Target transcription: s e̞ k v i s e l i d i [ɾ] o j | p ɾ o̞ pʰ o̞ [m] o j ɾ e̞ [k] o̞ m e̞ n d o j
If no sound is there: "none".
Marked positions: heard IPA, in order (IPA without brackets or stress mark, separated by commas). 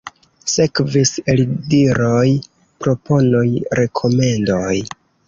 ɾ, n, kʰ